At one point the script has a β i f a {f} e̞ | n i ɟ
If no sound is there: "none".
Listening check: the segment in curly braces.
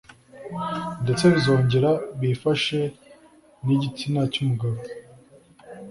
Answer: ʃ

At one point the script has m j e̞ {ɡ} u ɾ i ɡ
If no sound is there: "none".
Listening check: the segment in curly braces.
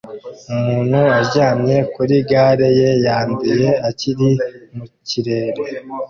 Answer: k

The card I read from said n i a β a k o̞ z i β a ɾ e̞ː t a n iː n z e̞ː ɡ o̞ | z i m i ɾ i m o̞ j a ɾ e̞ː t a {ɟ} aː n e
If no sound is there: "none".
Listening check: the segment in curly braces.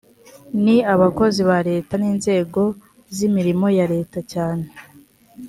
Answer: c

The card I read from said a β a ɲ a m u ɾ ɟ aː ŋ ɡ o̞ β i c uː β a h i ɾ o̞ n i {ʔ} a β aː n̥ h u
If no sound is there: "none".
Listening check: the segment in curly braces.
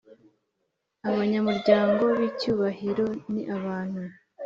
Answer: ʔ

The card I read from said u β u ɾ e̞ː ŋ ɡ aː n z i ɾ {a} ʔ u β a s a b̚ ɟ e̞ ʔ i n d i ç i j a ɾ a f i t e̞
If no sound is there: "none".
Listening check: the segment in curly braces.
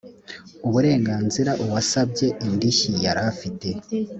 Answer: a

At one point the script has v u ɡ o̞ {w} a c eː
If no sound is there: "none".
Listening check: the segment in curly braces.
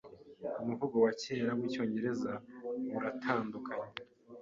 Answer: w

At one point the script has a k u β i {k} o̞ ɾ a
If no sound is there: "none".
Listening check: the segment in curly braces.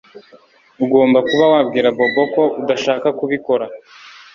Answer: k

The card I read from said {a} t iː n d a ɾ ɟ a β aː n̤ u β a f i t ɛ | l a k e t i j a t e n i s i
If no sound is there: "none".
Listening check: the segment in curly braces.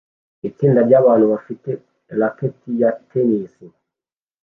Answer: i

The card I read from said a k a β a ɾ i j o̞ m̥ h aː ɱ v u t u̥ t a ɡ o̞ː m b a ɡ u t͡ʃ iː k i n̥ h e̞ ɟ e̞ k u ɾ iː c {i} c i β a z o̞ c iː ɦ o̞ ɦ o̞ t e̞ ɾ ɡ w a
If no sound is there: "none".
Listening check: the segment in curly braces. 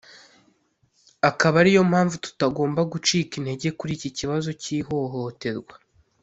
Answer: i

